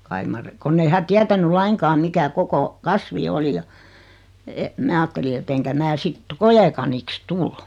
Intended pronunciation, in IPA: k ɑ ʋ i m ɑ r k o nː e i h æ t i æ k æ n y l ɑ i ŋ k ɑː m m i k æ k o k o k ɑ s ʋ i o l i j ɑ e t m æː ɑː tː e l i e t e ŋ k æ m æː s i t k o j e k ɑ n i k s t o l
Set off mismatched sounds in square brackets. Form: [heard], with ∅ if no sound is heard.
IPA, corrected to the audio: k ɑ [∅] i m ɑ r k o nː e i h æ t i æ [t] æ n y l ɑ i ŋ k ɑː m m i k æ k o k o k ɑ s ʋ i o l i j ɑ e t m æː ɑː tː e l i e t e ŋ k æ m æː s i t k o j e k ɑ n i k s t [u] l